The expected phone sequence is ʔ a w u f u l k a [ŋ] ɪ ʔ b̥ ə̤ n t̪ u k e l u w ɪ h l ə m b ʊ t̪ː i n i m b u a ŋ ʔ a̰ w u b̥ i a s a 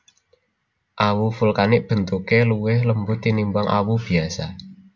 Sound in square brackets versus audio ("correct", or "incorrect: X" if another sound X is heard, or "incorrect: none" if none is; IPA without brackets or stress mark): incorrect: n